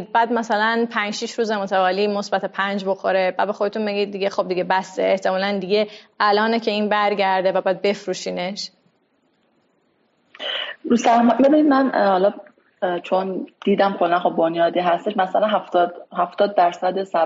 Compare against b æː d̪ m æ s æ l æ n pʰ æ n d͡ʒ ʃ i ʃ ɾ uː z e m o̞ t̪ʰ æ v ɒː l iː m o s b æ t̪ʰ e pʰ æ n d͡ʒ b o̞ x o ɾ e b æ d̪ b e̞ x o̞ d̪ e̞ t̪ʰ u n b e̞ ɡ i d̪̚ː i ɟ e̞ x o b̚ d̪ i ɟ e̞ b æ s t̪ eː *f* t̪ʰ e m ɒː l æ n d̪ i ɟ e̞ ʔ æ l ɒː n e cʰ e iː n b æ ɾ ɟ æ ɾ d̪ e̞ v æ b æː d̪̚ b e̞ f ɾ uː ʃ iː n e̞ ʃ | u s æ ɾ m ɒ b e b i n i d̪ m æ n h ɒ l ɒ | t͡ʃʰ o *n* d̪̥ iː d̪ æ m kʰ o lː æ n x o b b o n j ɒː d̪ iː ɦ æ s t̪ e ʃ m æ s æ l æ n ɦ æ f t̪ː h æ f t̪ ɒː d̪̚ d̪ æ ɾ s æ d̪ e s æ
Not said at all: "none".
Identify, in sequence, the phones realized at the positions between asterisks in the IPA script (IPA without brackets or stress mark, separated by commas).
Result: h, n